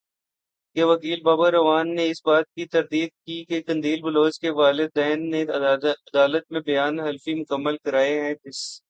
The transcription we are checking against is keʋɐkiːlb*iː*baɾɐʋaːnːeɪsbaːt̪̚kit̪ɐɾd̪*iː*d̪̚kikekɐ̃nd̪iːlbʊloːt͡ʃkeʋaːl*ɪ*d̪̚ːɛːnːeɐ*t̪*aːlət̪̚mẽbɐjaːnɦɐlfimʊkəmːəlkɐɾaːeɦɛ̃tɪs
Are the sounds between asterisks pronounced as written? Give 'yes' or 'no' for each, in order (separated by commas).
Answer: no, yes, yes, no